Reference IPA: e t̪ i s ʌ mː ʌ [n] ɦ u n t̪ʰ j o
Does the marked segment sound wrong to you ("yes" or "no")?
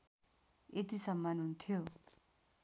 no